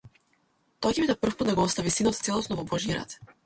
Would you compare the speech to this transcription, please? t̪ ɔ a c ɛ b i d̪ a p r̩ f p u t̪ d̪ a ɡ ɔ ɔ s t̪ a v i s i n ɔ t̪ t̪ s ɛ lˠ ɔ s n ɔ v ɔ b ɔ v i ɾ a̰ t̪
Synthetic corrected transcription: t̪ ɔ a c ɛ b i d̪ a p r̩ f p u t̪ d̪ a ɡ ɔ ɔ s t̪ a v i s i n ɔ t̪ t̪ s ɛ lˠ ɔ s n ɔ v ɔ b ɔ ʒ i ɾ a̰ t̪